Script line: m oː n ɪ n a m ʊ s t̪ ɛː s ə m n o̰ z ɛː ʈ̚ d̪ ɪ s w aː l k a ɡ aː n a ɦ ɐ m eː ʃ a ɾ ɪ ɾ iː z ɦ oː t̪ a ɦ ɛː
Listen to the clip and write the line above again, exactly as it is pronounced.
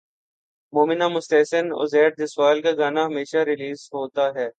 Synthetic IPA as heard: m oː m ɪ n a m ʊ s t̪ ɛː s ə n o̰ z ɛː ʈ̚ d̪ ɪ s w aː l k a ɡ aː n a ɦ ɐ m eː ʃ a ɾ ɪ l iː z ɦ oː t̪ a ɦ ɛː